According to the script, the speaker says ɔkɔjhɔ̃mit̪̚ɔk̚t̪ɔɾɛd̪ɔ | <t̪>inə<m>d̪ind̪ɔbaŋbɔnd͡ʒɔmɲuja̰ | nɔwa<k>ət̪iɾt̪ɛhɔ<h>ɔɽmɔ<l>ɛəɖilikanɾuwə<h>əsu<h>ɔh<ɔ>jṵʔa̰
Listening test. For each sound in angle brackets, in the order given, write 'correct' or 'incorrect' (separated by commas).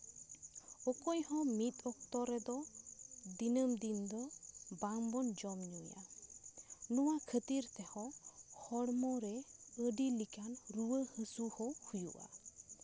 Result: incorrect, correct, incorrect, correct, incorrect, correct, correct, incorrect